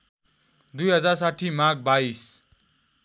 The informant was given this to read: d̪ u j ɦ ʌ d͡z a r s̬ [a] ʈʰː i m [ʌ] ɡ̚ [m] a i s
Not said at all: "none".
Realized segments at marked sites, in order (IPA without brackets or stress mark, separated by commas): a, a, b